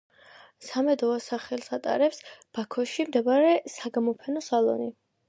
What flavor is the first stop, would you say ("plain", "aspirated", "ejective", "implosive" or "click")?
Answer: plain